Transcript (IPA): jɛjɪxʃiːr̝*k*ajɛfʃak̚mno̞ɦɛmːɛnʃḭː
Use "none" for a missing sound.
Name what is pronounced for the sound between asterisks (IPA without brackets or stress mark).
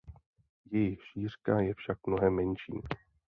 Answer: k